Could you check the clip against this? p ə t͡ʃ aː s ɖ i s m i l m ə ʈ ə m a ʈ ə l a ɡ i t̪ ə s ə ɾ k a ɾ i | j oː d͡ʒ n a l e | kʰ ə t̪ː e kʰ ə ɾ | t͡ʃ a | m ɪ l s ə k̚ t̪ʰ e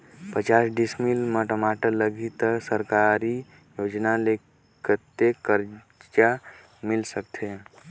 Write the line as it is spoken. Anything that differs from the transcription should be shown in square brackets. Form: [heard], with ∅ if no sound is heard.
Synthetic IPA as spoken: p ə t͡ʃ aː s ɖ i s m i l m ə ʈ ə m a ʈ ə l [ə] ɡ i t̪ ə s ə ɾ k a ɾ i | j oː d͡ʒ n a l e | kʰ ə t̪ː e [k] ə ɾ | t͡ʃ a | m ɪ l s ə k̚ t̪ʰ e

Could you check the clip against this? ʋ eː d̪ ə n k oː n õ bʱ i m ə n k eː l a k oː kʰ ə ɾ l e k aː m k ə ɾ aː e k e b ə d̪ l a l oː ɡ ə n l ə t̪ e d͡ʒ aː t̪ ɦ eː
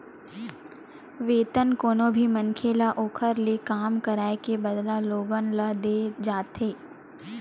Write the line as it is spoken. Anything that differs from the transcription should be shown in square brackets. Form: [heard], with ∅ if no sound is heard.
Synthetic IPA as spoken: ʋ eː [t̪] ə n k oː n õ bʱ i m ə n [kʰ] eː l a [ʔ] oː kʰ ə ɾ l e k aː m k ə ɾ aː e k e b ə d̪ l a l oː ɡ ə n l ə [d̪] e d͡ʒ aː t̪ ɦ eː

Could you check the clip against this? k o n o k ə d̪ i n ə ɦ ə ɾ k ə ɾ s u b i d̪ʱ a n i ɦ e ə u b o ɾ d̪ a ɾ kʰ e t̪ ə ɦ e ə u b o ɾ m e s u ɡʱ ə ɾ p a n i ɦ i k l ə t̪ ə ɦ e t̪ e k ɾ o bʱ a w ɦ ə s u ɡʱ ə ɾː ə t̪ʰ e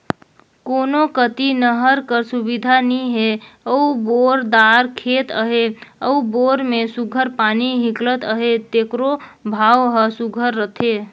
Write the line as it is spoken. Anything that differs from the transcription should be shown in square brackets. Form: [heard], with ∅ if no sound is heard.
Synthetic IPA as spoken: k o n o k ə [t̪] i n ə ɦ ə ɾ k ə ɾ s u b i d̪ʱ a n i ɦ e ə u b o ɾ d̪ a ɾ kʰ e t̪ ə ɦ e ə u b o ɾ m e s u ɡʱ ə ɾ p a n i ɦ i k l ə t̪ ə ɦ e t̪ e k ɾ o bʱ a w ɦ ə s u ɡʱ ə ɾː ə t̪ʰ e

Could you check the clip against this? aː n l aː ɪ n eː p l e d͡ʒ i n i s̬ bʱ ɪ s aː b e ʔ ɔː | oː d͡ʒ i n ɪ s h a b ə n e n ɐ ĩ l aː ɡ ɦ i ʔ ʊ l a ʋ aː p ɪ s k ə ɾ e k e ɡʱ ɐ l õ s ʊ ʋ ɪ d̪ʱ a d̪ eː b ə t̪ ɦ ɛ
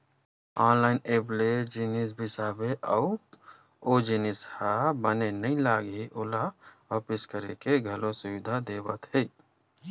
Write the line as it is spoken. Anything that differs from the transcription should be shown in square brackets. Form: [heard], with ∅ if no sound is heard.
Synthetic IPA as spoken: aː n l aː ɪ n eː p l e d͡ʒ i n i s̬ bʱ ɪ s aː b e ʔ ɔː | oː d͡ʒ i n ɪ s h a b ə n e n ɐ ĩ l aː ɡ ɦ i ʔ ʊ l a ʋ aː p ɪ s k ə ɾ e k e ɡʱ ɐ l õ s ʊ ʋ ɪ d̪ʱ a d̪ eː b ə t̪ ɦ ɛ

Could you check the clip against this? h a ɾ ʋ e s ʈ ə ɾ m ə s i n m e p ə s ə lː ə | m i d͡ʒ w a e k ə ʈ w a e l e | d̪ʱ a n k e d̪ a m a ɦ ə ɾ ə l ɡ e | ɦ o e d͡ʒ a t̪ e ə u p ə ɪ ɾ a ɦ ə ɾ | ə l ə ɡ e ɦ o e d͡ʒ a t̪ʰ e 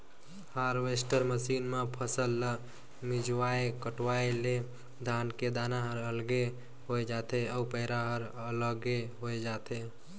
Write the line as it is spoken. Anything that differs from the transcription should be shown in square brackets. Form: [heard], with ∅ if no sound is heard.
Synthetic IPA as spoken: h a ɾ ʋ e s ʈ ə ɾ m ə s i n m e [pʰ] ə s ə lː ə | m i d͡ʒ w a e k ə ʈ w a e l e | d̪ʱ a n k e d̪ a [n] a ɦ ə ɾ ə l ɡ e | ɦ o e d͡ʒ a t̪ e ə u p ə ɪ ɾ a ɦ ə ɾ | ə l ə ɡ e ɦ o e d͡ʒ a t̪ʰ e

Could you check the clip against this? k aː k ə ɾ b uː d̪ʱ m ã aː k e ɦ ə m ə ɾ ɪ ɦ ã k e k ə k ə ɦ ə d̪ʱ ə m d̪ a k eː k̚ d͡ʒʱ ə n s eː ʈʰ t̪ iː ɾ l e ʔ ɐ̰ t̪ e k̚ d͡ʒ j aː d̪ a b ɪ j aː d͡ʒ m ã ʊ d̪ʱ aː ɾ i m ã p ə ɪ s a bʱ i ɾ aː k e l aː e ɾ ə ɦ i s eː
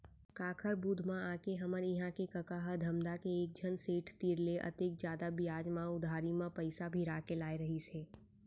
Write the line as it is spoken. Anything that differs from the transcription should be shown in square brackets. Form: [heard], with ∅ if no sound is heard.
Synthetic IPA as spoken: k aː [kʰ] ə ɾ b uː d̪ʱ m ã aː k e ɦ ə m ə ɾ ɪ ɦ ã k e k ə k [a] ɦ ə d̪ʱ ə m d̪ a k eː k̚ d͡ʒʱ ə n s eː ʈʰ t̪ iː ɾ l e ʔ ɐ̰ t̪ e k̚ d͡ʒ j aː d̪ a b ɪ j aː d͡ʒ m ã ʊ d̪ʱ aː ɾ i m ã p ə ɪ s a bʱ i ɾ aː k e l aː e ɾ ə ɦ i s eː

